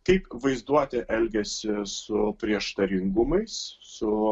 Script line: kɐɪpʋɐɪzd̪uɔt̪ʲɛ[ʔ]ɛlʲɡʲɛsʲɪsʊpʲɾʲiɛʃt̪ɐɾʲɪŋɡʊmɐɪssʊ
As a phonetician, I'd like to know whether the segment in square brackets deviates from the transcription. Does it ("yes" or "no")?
no